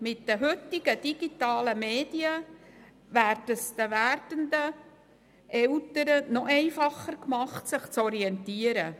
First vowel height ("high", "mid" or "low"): high